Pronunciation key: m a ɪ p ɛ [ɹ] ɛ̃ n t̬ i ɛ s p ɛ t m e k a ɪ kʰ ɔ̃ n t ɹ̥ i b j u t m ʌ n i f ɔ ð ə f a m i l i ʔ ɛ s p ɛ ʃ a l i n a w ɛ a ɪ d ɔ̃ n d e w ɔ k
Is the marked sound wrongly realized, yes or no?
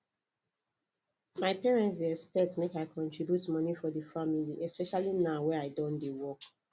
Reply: no